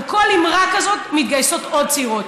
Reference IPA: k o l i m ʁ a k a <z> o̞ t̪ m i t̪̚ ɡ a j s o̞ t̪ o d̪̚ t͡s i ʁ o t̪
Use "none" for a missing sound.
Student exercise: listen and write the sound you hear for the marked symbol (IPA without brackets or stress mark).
z